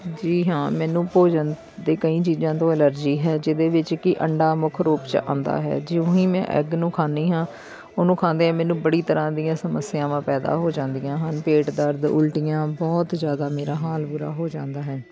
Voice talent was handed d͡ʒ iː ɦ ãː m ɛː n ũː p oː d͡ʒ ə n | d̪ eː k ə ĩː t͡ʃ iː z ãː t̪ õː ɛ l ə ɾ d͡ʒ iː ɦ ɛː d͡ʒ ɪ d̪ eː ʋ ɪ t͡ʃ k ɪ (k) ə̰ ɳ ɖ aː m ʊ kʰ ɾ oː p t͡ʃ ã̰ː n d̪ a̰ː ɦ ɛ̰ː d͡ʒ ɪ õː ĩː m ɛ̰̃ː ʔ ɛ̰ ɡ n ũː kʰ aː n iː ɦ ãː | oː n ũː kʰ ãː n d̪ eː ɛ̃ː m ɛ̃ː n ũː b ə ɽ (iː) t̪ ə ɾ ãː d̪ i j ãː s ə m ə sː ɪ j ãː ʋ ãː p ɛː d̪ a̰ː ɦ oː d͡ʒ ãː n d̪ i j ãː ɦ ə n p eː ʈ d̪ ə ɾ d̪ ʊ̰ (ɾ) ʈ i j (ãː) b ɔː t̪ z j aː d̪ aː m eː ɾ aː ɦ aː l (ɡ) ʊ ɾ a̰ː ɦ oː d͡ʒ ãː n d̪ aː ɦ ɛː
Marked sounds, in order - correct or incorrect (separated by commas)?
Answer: incorrect, correct, incorrect, correct, incorrect